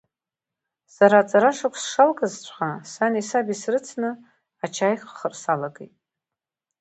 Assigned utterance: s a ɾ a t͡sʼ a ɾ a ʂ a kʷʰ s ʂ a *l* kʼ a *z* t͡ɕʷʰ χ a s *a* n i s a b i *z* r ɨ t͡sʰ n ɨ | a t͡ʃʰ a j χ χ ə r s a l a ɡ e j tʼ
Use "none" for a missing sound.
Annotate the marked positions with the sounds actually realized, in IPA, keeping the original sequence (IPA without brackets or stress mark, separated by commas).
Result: l, z, a, s